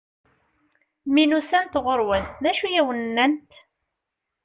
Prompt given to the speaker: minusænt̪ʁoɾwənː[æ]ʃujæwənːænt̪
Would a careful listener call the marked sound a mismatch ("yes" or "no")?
no